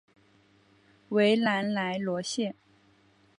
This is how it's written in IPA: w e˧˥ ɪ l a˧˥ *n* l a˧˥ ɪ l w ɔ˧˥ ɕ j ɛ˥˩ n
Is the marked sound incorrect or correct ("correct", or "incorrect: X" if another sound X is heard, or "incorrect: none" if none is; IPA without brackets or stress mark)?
correct